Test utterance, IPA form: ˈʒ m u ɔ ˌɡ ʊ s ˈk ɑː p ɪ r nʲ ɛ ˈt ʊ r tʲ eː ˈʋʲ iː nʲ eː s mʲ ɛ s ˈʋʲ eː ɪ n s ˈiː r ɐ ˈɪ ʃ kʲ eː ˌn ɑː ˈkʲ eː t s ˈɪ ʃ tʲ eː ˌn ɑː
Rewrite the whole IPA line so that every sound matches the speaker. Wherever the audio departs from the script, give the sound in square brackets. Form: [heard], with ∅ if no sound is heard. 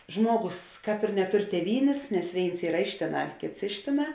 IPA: ˈʒ m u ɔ ˌɡ ʊ s ˈk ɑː p ɪ r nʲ ɛ ˈt ʊ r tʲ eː ˈʋʲ iː nʲ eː s [nʲ] ɛ s ˈʋʲ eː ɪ n s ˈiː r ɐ ˈɪ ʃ [tʲ] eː ˌn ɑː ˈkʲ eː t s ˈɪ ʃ tʲ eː ˌn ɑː